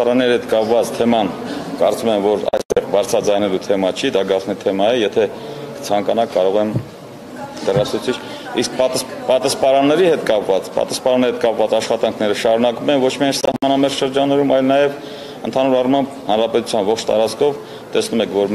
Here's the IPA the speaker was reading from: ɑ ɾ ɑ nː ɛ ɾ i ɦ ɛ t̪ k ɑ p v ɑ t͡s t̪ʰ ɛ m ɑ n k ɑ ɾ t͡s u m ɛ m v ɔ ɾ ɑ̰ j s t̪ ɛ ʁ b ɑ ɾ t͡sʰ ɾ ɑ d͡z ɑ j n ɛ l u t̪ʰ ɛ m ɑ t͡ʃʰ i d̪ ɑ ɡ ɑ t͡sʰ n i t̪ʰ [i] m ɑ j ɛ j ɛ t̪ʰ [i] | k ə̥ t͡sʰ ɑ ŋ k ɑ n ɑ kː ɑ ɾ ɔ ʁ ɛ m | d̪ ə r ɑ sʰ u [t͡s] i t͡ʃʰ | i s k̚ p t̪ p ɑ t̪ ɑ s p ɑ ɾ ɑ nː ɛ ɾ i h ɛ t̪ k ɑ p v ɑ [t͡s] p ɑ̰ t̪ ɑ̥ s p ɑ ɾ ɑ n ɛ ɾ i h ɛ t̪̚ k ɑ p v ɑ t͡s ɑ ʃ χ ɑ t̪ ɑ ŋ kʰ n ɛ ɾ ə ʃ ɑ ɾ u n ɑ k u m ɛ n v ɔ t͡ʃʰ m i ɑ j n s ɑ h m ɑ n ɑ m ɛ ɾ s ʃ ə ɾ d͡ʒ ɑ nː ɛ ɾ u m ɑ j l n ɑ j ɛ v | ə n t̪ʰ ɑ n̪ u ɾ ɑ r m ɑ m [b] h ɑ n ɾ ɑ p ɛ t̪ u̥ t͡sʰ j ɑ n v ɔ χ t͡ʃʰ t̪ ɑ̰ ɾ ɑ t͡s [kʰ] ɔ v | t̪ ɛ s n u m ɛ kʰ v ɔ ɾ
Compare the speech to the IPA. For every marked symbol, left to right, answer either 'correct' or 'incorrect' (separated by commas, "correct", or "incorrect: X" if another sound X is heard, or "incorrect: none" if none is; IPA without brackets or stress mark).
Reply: incorrect: ɛ, incorrect: ɛ, incorrect: t͡sʰ, correct, correct, correct